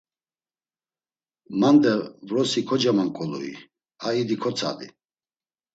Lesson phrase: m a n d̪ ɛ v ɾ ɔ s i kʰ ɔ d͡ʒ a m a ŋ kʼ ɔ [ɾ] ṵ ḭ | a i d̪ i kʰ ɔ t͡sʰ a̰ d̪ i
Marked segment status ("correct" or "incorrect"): incorrect